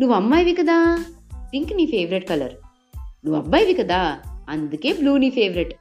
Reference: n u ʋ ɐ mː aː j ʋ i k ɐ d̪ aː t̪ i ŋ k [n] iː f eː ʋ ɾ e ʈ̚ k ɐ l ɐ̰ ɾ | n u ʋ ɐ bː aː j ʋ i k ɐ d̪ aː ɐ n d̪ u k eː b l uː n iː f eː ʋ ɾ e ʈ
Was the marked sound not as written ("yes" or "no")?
no